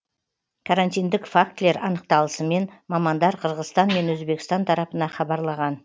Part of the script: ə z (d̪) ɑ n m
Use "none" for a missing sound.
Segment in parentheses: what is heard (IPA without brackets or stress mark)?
t̪